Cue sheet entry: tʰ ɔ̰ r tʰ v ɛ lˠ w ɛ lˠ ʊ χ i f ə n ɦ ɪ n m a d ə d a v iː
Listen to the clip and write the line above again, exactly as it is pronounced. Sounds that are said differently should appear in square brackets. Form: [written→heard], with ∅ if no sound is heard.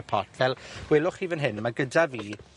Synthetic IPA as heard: [tʰ→pʰ] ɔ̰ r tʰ v ɛ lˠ w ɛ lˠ ʊ χ i [f→v] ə n ɦ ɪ n m a [d→ɡ] ə d a v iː